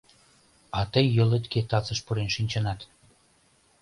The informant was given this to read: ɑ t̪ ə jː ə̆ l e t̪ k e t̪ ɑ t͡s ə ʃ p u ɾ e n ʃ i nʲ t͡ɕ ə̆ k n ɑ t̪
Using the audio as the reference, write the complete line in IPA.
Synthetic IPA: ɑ t̪ ə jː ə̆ l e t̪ k e t̪ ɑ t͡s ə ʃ p u ɾ e n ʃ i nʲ t͡ɕ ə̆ n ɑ t̪

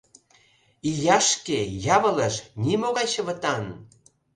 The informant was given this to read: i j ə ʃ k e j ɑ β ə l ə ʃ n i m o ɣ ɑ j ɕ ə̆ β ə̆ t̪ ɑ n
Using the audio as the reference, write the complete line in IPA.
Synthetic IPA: i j ɑ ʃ k e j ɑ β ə l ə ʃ n i m o ɣ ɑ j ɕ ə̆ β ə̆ t̪ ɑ n

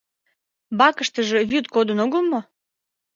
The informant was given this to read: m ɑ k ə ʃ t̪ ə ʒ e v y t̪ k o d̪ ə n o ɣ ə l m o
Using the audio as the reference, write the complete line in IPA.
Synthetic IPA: b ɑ k ə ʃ t̪ ə ʒ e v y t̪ k o d̪ ə n o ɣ ə l m o

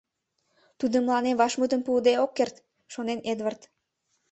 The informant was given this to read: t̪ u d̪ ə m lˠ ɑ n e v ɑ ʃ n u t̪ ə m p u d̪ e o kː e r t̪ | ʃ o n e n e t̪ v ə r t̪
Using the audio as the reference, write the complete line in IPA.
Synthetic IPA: t̪ u d̪ ə m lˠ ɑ n e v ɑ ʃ m u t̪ ə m p u d̪ e o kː e r t̪ | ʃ o n e n e d̪ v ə r t̪

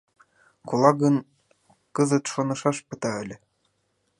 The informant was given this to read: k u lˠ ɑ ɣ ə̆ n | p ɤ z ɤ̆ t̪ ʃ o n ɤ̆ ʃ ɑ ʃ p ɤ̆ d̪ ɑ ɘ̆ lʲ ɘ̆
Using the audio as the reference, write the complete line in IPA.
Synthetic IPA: k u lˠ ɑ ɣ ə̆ n | k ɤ z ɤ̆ t̪ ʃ o n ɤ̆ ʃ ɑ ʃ p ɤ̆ t̪ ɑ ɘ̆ lʲ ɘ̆

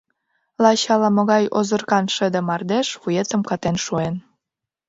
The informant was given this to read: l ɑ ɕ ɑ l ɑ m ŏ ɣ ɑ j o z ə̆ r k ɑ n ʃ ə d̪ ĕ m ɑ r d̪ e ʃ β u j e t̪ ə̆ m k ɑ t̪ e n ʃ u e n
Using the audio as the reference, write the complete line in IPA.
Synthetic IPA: l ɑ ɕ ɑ l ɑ m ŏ ɣ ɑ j o z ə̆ r k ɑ n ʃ ə d̪ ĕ m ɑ r d̪ e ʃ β u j e t̪ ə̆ m k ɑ t̪ e n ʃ u e n

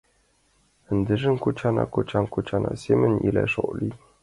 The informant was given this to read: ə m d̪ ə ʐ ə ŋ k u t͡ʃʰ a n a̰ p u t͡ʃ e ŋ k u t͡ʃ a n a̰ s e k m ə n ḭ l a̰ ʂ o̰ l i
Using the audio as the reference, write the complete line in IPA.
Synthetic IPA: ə n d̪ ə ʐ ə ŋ k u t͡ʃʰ a n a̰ k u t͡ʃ a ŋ k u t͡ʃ a n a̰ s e m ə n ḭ l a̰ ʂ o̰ l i

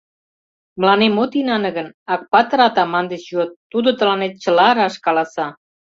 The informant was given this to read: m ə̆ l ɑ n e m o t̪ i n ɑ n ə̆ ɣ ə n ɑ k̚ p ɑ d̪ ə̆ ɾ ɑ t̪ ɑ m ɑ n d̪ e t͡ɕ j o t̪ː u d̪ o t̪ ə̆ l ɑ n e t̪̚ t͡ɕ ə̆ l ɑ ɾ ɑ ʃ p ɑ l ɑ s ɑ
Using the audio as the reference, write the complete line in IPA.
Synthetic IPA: m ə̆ l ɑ n e m o t̪ i n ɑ n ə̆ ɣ ə n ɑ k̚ p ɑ t̪ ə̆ ɾ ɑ t̪ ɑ m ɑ n d̪ e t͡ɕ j o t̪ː u d̪ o t̪ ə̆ l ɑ n e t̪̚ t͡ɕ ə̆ l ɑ ɾ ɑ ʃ k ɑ l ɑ s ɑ

